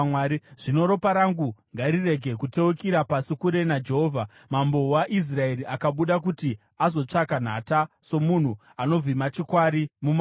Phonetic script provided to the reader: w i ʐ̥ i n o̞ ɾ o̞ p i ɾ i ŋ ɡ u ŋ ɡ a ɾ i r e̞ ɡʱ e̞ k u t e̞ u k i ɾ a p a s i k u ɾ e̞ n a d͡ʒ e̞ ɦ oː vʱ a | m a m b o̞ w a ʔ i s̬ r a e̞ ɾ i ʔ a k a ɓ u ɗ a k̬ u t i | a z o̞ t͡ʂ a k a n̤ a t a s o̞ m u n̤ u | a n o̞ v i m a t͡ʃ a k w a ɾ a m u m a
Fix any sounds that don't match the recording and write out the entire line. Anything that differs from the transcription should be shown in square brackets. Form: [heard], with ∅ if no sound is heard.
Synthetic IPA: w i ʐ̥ i n o̞ ɾ o̞ p [a] ɾ [a] ŋ ɡ u ŋ ɡ a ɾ i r e̞ ɡʱ e̞ k u t e̞ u k i ɾ a p a s i k u ɾ e̞ n a d͡ʒ e̞ ɦ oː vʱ a | m a m b o̞ w a ʔ i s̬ r a e̞ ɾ i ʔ a k a ɓ u ɗ a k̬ u t i | a z o̞ t͡ʂ a k a n̤ a t a s o̞ m u n̤ u | a n o̞ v i m a t͡ʃ [i] k w a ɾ [i] m u m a